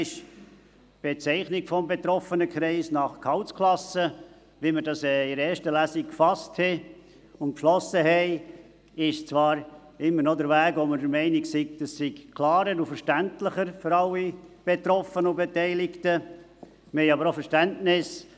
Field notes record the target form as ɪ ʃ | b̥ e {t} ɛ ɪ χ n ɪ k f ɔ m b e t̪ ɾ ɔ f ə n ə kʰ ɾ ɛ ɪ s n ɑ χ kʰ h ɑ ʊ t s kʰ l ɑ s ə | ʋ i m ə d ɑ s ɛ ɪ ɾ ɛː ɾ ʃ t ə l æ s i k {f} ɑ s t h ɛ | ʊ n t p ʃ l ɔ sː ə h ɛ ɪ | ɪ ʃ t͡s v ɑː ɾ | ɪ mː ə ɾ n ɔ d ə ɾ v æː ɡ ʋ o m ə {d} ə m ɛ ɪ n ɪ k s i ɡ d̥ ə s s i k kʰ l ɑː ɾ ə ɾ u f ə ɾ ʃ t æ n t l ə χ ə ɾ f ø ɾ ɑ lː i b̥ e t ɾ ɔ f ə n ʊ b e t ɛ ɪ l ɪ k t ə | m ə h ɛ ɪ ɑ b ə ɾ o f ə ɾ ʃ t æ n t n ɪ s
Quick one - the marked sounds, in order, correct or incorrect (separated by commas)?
incorrect, correct, correct